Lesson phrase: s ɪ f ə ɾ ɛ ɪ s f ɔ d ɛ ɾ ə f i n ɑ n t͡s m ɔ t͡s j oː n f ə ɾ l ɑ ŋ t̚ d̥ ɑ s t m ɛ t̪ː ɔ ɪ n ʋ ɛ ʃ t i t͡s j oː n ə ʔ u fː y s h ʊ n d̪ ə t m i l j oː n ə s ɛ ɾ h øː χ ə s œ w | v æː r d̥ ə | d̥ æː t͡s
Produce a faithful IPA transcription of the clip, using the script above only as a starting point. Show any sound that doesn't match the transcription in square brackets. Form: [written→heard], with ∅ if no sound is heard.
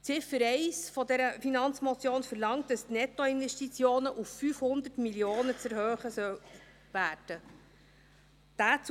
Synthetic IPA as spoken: [s→t͡s] ɪ f ə ɾ ɛ ɪ s f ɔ d ɛ ɾ ə f i n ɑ n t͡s m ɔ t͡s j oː n f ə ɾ l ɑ ŋ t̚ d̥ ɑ s t [m→n] ɛ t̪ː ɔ ɪ n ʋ ɛ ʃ t i t͡s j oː n ə ʔ u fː y [s→f] h ʊ n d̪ ə t m i l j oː n ə [s→t͡s] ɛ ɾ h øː χ ə s œ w | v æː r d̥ ə | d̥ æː t͡s